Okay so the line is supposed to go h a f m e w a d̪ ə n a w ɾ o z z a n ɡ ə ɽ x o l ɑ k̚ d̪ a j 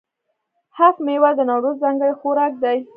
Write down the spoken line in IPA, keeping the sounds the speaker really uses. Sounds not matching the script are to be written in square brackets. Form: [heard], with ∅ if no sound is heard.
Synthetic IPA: h a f m e w a d̪ ə n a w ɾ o z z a [ŋ] ɡ ə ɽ x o [ɾ] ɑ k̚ d̪ a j